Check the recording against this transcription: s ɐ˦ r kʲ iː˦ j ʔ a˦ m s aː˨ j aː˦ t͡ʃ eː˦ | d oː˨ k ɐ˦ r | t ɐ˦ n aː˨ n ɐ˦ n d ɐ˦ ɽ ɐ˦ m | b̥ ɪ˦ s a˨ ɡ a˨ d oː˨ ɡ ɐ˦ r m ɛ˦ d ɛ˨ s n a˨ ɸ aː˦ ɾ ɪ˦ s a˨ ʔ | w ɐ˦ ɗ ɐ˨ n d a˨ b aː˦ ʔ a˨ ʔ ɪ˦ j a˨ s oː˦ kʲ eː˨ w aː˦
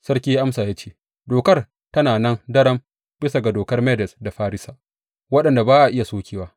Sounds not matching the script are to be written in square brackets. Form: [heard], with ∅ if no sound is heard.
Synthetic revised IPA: s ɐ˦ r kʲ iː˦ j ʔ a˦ m s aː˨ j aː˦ t͡ʃ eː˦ | d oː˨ k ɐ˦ r | t ɐ˦ n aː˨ n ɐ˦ n d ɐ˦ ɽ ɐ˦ m | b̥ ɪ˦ s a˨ ɡ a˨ d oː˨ [k] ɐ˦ r m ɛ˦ d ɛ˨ s [d] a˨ ɸ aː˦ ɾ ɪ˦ s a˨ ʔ | w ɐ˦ ɗ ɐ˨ n d a˨ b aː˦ ʔ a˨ ʔ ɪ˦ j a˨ s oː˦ kʲ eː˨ w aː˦

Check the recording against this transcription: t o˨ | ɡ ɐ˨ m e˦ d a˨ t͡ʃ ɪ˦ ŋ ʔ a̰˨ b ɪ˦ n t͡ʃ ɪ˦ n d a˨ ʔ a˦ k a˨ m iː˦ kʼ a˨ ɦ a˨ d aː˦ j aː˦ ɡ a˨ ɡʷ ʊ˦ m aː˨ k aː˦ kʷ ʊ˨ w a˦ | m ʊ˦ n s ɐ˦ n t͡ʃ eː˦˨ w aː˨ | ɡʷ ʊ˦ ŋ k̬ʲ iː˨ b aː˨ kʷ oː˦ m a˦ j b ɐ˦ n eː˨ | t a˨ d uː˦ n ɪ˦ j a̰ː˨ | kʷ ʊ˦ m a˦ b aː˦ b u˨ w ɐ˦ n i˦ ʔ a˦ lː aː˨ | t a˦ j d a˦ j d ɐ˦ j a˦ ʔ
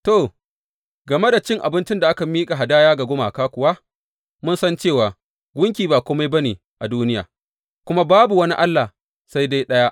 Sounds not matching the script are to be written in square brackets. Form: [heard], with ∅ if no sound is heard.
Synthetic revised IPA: t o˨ | ɡ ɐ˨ m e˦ d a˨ t͡ʃ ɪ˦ ŋ ʔ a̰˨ b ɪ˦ n t͡ʃ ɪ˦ n d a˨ ʔ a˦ k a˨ m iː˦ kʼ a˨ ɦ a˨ d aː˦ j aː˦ ɡ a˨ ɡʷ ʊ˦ m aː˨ k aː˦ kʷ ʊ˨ w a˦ | m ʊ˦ n s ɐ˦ n t͡ʃ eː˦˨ w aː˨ | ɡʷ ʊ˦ ŋ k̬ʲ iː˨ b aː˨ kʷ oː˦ m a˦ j b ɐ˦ n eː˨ | [ʔ] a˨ d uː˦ n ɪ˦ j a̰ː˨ | kʷ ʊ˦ m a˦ b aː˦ b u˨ w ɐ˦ n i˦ ʔ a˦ lː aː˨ | [s] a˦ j d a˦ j [ɗ] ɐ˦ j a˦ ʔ

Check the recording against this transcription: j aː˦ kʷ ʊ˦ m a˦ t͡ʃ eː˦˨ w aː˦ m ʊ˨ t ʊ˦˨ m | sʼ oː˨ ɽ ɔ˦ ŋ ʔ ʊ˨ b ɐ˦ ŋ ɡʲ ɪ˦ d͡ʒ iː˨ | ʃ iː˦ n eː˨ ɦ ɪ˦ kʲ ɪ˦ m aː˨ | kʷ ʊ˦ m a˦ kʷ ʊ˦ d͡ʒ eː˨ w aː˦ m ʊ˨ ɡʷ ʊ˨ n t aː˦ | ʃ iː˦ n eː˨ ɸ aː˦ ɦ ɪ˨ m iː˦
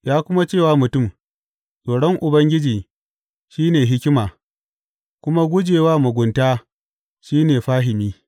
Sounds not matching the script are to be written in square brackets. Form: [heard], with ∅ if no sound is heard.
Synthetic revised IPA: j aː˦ kʷ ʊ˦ m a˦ t͡ʃ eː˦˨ w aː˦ m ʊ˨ t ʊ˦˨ m | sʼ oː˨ ɽ ɔ˦ ŋ ʔ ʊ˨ b ɐ˦ ŋ ɡʲ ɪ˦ d͡ʒ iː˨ | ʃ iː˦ n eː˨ ɦ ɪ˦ kʲ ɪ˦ m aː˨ | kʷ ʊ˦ m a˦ [ɡʷ] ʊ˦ d͡ʒ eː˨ w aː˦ m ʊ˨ ɡʷ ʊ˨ n t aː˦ | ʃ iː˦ n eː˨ ɸ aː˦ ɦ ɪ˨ m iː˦

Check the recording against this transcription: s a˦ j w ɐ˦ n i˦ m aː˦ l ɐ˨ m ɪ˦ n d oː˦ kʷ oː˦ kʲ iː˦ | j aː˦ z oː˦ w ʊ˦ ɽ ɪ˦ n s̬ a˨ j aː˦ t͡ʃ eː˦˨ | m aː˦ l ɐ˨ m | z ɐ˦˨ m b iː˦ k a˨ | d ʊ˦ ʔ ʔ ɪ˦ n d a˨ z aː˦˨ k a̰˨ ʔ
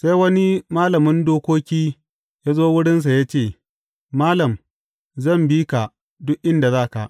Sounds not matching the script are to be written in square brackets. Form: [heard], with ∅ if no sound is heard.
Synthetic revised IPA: s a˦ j w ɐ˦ n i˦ m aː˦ l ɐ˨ m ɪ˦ n d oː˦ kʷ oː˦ kʲ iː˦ | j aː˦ z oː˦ w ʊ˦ ɽ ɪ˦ n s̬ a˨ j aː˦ t͡ʃ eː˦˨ | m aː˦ l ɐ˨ m | z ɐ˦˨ m b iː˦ k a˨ | d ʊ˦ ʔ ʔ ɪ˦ n d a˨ z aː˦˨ k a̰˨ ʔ

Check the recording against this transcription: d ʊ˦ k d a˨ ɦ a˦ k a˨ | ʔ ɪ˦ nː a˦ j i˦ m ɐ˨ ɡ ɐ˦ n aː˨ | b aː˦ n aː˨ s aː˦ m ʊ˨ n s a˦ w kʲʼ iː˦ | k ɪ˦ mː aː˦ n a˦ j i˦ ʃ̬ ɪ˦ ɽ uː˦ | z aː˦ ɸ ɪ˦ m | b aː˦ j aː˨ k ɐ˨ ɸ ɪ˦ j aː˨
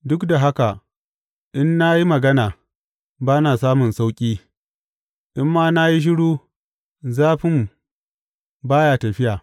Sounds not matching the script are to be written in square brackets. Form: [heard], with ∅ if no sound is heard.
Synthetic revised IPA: d ʊ˦ k d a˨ ɦ a˦ k a˨ | ʔ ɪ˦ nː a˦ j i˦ m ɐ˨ ɡ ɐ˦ n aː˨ | b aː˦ n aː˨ s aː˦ m ʊ˨ n s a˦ w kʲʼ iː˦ | [ʔ] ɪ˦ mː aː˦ n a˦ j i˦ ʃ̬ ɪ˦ ɽ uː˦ | z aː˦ ɸ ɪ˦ m | b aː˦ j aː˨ [t] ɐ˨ ɸ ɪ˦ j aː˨

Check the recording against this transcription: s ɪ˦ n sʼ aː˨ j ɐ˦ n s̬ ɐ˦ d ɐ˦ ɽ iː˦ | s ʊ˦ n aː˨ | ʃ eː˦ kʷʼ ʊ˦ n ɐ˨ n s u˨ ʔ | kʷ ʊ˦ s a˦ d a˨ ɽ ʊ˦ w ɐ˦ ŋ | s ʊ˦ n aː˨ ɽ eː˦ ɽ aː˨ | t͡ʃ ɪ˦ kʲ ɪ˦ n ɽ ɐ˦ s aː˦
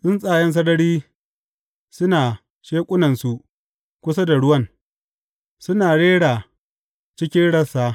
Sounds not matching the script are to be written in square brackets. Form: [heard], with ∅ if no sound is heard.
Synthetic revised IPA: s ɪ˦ n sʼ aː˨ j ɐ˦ n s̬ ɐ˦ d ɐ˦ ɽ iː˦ | s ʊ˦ n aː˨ | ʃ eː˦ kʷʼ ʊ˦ n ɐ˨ n s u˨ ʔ | kʷ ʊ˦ s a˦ d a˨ ɽ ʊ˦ w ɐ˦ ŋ | s ʊ˦ n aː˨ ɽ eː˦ ɽ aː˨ | t͡ʃ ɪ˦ kʲ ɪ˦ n ɽ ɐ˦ s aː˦

